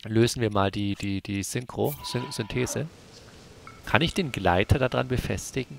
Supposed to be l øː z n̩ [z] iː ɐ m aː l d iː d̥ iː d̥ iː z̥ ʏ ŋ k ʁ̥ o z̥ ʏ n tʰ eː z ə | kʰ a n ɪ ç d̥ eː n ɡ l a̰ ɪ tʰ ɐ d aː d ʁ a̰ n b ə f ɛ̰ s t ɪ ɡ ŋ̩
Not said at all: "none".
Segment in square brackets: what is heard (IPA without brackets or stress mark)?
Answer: v